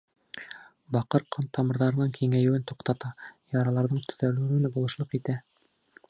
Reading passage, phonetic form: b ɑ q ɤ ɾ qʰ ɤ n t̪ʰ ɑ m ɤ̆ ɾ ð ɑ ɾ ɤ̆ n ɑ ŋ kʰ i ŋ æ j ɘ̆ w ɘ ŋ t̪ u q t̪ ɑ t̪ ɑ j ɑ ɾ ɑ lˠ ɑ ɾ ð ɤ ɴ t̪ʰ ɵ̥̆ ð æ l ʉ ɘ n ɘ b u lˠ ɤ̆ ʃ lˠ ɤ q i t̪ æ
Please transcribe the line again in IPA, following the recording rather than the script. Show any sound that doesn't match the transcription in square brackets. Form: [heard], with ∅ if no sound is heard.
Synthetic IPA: b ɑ q ɤ ɾ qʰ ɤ n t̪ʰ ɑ m ɤ̆ ɾ ð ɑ ɾ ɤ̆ n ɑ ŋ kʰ i ŋ æ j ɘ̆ w ɘ [n] t̪ u q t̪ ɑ t̪ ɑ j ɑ ɾ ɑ lˠ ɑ ɾ ð ɤ ɴ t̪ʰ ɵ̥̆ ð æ l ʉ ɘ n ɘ b u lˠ ɤ̆ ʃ lˠ ɤ q i t̪ æ